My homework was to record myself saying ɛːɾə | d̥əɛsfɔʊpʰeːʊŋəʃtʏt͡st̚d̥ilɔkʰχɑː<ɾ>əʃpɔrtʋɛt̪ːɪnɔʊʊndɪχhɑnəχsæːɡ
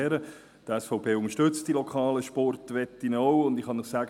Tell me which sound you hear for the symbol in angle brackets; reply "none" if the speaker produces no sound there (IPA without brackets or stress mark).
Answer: l